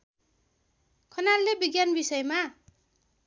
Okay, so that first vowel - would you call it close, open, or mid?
mid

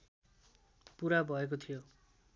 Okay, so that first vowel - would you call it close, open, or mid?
close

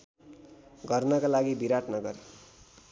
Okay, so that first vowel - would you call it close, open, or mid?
mid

